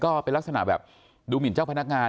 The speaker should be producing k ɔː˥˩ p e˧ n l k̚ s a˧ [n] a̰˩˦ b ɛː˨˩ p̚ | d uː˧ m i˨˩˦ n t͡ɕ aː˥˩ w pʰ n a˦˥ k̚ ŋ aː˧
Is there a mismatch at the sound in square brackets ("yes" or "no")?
no